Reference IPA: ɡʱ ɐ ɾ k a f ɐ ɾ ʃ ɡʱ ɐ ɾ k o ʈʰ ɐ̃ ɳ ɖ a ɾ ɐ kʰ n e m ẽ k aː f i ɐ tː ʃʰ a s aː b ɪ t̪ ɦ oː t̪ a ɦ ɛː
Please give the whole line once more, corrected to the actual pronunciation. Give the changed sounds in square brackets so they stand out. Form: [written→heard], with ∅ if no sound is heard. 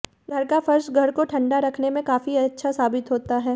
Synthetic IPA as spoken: ɡʱ ɐ ɾ k a f ɐ ɾ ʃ ɡʱ ɐ ɾ k o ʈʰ ɐ̃ ɳ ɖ a ɾ ɐ kʰ n e m ẽ k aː f i ɐ tː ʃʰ a s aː b ɪ t̪ ɦ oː t̪ a ɦ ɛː